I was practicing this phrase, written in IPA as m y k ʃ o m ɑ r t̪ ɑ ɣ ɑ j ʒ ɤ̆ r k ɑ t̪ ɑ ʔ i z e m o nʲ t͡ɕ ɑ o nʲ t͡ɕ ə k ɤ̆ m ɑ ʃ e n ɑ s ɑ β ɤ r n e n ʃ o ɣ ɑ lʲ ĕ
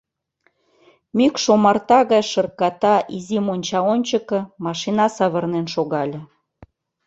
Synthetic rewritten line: m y k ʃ o m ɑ r t̪ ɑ ɣ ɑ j ʃ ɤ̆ r k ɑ t̪ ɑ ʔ i z i m o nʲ t͡ɕ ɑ o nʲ t͡ɕ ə k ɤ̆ m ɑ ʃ i n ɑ s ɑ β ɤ r n e n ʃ o ɣ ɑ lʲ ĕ